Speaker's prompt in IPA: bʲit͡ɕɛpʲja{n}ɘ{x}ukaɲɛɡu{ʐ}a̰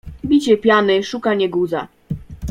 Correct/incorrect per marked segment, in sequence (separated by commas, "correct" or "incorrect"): correct, incorrect, incorrect